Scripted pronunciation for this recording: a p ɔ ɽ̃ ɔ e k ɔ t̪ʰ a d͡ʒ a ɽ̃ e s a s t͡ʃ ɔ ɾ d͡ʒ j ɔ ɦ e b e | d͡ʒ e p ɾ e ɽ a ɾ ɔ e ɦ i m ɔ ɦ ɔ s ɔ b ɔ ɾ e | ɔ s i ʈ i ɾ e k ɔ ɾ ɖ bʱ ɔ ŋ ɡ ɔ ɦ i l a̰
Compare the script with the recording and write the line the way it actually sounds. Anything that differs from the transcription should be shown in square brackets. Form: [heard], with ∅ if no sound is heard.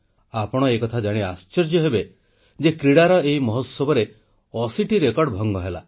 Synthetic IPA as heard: a p ɔ ɽ̃ ɔ e k ɔ t̪ʰ a d͡ʒ a ɽ̃ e [∅] a s t͡ʃ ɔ ɾ d͡ʒ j ɔ ɦ e b e | d͡ʒ e [k] ɾ [i] ɽ a ɾ ɔ e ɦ i m ɔ ɦ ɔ s ɔ b ɔ ɾ e | ɔ s i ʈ i ɾ e k ɔ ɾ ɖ bʱ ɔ ŋ ɡ ɔ ɦ [e] l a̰

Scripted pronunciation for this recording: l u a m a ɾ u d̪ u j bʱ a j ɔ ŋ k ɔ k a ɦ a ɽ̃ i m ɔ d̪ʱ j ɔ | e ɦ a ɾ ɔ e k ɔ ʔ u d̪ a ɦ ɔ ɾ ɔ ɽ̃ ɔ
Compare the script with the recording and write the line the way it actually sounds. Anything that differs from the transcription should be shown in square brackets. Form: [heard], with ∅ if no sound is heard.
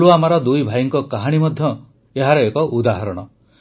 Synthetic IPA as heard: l u a m a ɾ [ɔ] d̪ u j bʱ a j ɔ ŋ k ɔ k a ɦ a ɽ̃ i m ɔ d̪ʱ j ɔ | e ɦ a ɾ ɔ e k ɔ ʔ u d̪ a ɦ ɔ ɾ ɔ ɽ̃ ɔ

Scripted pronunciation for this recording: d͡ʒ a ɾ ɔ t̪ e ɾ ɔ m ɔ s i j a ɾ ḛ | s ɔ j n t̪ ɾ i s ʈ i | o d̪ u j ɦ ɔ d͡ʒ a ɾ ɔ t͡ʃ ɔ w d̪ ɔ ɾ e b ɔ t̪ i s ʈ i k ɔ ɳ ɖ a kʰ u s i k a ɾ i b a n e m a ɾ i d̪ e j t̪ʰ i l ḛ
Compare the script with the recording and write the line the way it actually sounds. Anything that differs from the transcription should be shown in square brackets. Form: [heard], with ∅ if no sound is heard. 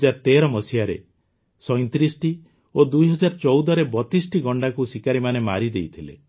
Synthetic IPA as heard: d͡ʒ a ɾ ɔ t̪ e ɾ ɔ m ɔ s i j a ɾ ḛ | s ɔ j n t̪ ɾ i s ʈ i | o d̪ u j ɦ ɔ d͡ʒ a ɾ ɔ t͡ʃ ɔ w d̪ ɔ ɾ e b ɔ t̪ i s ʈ i [ɡ] ɔ ɳ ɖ a [k] u s i k a ɾ i [m] a n e m a ɾ i d̪ e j t̪ʰ i l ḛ

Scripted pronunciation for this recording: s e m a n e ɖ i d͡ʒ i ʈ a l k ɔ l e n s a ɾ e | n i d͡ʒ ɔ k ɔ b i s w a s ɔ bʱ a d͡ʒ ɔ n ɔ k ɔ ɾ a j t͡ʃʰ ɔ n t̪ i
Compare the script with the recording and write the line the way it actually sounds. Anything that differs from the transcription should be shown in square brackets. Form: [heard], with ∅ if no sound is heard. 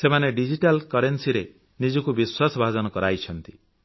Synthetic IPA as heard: s e m a n e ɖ i d͡ʒ i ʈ a l k ɔ [ɾ] e n s [i] ɾ e | n i d͡ʒ ɔ k [u] b i s w a s ɔ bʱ a d͡ʒ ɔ n ɔ k ɔ ɾ a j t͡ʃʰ ɔ n t̪ i

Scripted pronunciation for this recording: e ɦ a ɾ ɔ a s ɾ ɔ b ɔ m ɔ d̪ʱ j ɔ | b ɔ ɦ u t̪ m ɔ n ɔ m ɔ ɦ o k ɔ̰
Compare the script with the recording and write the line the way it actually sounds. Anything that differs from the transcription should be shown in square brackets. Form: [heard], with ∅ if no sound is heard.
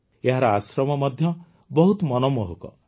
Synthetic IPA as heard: e ɦ a ɾ ɔ a s ɾ ɔ [m] ɔ m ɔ d̪ʱ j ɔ | b ɔ ɦ u t̪ m ɔ n ɔ m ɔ ɦ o k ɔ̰

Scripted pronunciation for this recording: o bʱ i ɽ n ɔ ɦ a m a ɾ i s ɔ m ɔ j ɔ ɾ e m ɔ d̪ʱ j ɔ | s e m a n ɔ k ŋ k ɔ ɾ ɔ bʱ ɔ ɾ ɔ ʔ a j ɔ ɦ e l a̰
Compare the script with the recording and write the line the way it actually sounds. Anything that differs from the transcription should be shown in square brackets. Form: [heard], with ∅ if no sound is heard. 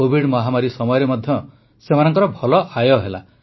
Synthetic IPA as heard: o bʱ i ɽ [m] ɔ ɦ a m a ɾ i s ɔ m ɔ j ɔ ɾ e m ɔ d̪ʱ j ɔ | s e m a n ɔ [∅] ŋ k ɔ ɾ ɔ bʱ ɔ [l] ɔ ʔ a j ɔ ɦ e l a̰

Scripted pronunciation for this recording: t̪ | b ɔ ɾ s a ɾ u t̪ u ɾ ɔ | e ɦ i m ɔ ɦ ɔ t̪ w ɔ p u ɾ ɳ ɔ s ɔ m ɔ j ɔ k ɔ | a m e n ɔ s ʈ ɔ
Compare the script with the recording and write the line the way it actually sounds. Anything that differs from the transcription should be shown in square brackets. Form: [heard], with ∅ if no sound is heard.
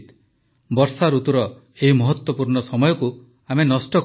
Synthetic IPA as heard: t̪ | b ɔ ɾ s a ɾ u t̪ u ɾ ɔ | e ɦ i m ɔ ɦ ɔ t̪ w ɔ p u ɾ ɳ ɔ s ɔ m ɔ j ɔ k [u] | a m e n ɔ s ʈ ɔ

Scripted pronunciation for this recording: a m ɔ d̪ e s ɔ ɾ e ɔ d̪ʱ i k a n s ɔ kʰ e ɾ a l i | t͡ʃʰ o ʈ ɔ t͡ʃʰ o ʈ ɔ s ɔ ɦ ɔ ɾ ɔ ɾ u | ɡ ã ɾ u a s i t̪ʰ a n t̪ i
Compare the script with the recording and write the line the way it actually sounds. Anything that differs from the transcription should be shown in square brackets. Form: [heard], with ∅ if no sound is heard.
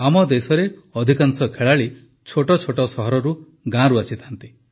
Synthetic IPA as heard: a m ɔ d̪ e s ɔ ɾ e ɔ d̪ʱ i k a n s ɔ kʰ e [ɭ] a [ɭ] i | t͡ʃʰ o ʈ ɔ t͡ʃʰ o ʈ ɔ s ɔ ɦ ɔ ɾ ɔ ɾ u | ɡ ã ɾ u a s i t̪ʰ a n t̪ i

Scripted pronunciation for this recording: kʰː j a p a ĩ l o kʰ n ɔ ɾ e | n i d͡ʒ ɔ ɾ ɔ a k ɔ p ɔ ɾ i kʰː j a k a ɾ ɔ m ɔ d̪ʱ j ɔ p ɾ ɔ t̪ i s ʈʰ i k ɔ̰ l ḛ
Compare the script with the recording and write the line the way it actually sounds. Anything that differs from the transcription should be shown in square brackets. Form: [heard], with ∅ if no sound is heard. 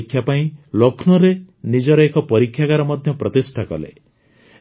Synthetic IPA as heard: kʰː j a p a ĩ l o kʰ n ɔ ɾ e | n i d͡ʒ ɔ ɾ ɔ [e] k ɔ p ɔ ɾ i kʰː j a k a ɾ ɔ m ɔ d̪ʱ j ɔ p ɾ ɔ t̪ i s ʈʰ [a] k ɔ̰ l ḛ

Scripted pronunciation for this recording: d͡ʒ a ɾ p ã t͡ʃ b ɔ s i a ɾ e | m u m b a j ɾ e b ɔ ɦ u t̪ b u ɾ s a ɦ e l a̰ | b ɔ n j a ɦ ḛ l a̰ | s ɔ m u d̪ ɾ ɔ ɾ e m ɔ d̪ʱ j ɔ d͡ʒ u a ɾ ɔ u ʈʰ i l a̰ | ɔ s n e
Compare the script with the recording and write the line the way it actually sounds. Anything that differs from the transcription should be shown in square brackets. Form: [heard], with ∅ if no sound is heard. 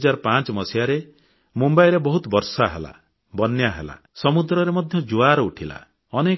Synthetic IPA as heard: d͡ʒ a ɾ p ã t͡ʃ [m] ɔ s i a ɾ e | m u m b a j ɾ e b ɔ ɦ u t̪ b [ɔ] ɾ s a ɦ e l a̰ | b ɔ n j a ɦ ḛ l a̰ | s ɔ m u d̪ ɾ ɔ ɾ e m ɔ d̪ʱ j ɔ d͡ʒ u a ɾ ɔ u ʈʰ i l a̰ | ɔ [∅] n e

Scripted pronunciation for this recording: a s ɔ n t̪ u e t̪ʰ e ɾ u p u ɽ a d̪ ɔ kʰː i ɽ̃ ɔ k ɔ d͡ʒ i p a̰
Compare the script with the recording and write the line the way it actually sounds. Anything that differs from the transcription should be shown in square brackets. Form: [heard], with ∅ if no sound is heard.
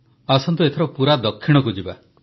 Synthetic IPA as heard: a s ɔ n t̪ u e t̪ʰ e ɾ [ɔ] p u [ɾ] a d̪ ɔ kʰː i ɽ̃ ɔ k [u] d͡ʒ i [b] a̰

